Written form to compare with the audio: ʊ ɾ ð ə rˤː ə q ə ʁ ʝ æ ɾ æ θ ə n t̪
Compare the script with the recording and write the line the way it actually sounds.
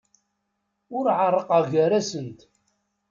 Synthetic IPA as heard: ʊ ɾ ʕ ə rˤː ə q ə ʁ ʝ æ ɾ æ s ə n t̪